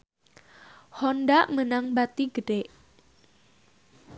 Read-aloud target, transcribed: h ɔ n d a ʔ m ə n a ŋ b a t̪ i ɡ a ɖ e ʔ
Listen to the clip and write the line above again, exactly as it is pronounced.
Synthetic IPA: h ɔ n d a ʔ m ə n a ŋ b a t̪ i ɡ ə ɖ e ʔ